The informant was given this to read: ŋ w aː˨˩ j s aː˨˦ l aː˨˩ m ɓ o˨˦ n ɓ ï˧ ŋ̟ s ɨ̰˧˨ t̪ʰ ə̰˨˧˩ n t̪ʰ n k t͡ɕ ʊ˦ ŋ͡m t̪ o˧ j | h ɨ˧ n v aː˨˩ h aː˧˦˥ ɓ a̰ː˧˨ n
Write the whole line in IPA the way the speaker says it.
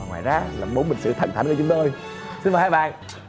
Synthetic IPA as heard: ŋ w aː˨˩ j z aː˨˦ l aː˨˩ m ɓ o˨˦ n ɓ ï˨˩ ŋ̟ s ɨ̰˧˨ t̪ʰ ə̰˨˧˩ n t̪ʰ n k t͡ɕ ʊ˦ ŋ͡m t̪ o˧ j | s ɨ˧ n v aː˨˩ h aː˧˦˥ ɓ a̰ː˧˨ n